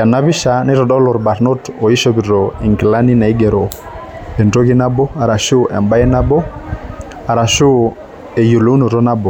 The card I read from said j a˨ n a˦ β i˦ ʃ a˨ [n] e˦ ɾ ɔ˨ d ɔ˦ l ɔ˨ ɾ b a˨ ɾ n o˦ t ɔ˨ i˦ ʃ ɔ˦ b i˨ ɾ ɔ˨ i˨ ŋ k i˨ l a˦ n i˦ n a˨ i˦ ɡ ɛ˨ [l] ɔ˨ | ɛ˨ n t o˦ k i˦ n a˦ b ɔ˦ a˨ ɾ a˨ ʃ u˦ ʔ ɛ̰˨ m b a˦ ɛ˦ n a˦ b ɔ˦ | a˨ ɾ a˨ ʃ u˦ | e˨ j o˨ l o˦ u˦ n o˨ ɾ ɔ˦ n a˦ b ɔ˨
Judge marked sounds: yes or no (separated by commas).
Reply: yes, no